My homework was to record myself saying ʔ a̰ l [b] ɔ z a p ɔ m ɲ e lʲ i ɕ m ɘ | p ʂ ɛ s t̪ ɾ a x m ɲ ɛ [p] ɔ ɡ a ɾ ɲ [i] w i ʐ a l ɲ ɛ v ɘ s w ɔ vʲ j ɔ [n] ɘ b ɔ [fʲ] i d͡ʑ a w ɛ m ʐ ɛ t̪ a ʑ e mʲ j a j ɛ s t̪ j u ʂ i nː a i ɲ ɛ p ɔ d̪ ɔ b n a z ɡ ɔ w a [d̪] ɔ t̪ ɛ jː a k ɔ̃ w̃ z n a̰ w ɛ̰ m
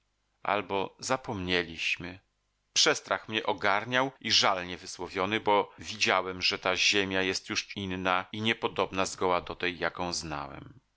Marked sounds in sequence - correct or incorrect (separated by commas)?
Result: correct, incorrect, incorrect, correct, incorrect, correct